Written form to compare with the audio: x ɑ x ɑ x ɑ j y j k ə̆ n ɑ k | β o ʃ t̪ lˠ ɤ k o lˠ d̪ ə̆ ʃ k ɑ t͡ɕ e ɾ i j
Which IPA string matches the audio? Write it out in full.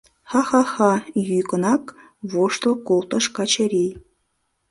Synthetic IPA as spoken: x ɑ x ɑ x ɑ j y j k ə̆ n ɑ k | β o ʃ t̪ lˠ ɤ k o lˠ t̪ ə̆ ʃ k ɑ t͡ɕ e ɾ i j